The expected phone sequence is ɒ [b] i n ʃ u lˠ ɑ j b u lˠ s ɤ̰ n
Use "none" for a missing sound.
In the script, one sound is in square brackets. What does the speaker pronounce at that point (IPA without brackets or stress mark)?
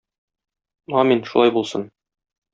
m